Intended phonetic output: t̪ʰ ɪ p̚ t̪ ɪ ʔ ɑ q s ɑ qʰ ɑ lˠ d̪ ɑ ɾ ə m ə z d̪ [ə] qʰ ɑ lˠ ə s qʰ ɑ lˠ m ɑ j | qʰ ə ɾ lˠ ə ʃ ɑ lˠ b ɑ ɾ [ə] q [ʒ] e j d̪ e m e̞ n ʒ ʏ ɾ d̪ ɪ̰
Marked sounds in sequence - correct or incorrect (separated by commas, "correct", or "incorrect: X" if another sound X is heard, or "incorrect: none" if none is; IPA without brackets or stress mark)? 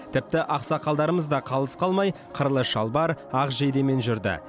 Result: incorrect: ɑ, incorrect: ɑ, correct